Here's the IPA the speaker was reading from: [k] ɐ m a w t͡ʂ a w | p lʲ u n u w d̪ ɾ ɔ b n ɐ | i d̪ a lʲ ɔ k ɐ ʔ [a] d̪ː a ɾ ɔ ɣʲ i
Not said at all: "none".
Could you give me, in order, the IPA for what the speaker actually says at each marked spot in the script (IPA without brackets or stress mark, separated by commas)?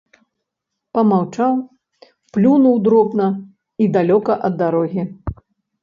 p, ɐ